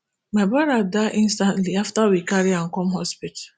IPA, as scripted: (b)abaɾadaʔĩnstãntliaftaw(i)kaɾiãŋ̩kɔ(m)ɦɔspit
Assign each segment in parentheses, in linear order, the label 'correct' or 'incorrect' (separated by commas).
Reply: incorrect, correct, correct